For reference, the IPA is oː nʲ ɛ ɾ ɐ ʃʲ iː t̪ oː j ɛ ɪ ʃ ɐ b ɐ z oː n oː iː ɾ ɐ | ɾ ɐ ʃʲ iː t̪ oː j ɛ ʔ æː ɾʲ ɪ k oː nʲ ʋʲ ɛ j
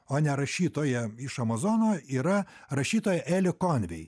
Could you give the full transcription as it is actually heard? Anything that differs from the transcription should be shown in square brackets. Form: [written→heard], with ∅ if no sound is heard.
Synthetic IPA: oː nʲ ɛ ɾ ɐ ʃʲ iː t̪ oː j ɛ ɪ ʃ ɐ [b→m] ɐ z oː n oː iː ɾ ɐ | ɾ ɐ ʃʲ iː t̪ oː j ɛ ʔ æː [ɾʲ→lʲ] ɪ k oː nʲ ʋʲ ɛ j